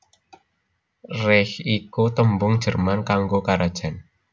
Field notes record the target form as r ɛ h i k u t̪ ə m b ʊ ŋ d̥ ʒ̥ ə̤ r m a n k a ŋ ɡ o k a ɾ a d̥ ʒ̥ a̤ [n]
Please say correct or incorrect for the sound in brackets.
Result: correct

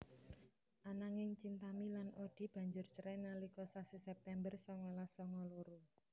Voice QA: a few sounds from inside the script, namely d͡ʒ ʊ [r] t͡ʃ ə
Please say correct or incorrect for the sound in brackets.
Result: correct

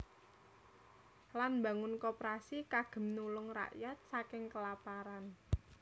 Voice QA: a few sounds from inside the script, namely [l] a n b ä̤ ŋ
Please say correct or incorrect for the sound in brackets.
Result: correct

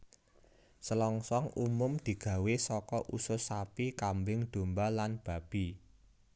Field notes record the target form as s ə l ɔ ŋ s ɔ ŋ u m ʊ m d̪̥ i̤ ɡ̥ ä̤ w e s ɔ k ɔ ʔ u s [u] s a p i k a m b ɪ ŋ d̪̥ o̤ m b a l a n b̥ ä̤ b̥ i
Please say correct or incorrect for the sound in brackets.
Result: incorrect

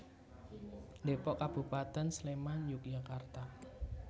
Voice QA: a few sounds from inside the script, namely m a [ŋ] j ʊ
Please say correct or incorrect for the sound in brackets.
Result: incorrect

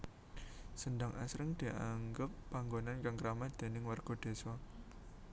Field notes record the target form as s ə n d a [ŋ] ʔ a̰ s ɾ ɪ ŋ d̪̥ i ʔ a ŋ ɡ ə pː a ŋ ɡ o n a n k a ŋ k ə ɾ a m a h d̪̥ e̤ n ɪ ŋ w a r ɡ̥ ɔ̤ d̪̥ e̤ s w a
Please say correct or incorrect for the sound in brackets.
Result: correct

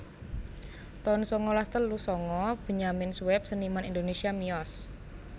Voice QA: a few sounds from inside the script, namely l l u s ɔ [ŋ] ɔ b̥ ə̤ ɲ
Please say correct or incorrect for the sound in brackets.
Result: correct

